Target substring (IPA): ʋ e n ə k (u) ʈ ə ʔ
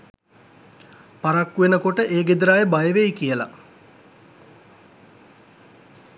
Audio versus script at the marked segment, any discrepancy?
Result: yes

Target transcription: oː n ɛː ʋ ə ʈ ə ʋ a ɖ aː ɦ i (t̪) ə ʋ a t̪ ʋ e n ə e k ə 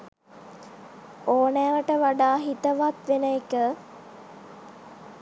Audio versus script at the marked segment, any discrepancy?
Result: no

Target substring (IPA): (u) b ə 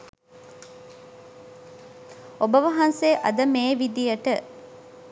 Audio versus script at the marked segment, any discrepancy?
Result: yes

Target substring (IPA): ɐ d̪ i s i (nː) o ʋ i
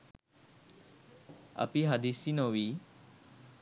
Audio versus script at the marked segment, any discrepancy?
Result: yes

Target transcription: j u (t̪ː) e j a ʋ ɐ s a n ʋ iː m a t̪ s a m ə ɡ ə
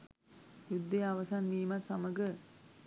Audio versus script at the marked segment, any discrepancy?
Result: yes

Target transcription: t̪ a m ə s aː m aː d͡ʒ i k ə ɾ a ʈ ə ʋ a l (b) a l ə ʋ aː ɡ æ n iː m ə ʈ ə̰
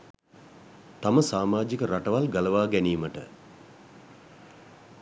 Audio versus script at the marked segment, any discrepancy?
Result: yes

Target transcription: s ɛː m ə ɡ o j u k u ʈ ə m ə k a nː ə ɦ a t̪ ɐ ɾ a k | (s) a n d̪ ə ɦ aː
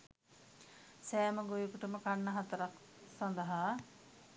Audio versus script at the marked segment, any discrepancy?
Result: no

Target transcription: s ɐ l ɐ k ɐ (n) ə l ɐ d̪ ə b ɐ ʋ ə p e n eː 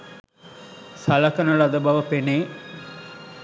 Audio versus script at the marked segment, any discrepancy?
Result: no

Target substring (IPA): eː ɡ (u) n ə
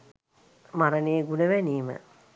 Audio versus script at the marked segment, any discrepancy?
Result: no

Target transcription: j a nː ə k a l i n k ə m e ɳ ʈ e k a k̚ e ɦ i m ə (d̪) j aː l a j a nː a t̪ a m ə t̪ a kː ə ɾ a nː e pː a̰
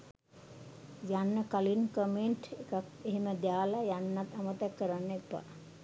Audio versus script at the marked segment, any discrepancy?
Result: no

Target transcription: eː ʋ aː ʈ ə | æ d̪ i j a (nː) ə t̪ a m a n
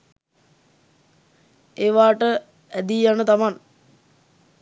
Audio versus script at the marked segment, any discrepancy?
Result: yes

